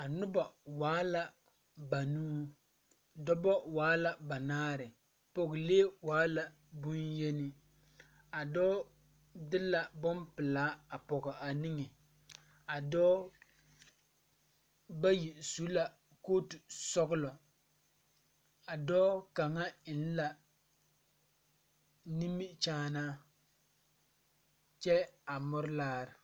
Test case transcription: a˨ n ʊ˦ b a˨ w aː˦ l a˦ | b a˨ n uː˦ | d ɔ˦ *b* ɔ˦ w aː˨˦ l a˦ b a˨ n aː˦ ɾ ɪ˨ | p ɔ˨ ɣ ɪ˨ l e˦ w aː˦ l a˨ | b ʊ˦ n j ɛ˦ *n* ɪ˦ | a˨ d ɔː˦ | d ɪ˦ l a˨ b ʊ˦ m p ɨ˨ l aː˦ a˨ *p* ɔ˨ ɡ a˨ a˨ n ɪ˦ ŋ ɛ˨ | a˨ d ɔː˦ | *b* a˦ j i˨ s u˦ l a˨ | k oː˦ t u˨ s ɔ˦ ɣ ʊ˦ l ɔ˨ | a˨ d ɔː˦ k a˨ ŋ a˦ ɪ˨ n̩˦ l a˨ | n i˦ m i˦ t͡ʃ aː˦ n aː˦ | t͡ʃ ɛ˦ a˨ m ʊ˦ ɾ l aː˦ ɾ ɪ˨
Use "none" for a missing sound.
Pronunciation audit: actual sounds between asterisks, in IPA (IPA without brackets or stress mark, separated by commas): b, n, p, b